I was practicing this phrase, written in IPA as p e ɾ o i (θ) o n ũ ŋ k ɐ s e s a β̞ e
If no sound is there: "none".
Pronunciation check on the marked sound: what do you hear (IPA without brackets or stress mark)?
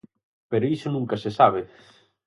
s